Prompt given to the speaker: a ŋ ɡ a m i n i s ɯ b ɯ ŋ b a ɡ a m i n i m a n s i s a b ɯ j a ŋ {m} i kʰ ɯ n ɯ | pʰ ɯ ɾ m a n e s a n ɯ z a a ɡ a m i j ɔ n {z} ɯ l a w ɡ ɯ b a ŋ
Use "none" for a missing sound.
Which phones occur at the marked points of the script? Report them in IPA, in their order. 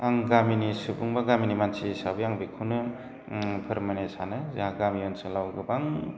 b, s

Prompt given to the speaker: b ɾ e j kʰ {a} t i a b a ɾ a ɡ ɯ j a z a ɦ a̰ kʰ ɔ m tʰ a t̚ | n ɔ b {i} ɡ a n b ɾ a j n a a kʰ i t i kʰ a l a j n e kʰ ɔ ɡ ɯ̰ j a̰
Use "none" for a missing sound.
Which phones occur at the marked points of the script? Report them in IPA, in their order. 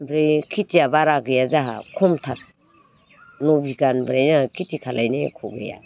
i, i

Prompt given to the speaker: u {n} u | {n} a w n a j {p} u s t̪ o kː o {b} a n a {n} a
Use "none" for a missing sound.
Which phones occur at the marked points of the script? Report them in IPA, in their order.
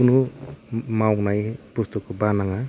n, m, p, b, ŋ

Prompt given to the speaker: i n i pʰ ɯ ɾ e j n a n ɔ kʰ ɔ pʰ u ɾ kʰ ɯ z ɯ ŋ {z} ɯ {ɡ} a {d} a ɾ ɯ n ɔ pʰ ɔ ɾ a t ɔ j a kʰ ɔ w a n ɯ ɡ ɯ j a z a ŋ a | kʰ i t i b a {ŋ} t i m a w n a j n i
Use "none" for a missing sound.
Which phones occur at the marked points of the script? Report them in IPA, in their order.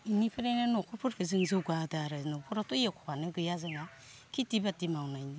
z, ɡ, d, none

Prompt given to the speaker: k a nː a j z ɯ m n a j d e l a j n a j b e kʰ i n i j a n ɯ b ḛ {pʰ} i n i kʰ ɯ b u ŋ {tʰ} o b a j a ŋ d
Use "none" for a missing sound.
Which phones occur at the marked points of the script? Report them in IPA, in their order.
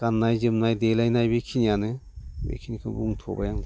kʰ, tʰ

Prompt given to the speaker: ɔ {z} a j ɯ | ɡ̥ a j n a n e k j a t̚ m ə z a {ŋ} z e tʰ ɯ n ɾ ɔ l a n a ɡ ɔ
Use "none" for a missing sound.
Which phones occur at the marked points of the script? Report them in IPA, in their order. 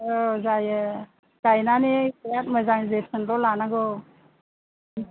z, ŋ

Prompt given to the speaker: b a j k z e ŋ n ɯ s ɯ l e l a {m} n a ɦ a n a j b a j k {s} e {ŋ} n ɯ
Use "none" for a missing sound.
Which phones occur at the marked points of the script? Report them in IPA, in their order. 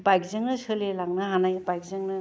ŋ, z, ŋ

